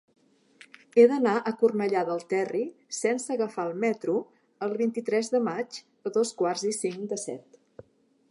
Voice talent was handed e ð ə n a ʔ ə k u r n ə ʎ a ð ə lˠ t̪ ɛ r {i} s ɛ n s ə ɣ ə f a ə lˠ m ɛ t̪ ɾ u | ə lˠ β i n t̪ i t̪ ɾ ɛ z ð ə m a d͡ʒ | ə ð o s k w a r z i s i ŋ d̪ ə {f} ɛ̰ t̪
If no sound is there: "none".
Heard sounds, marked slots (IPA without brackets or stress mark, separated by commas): i, s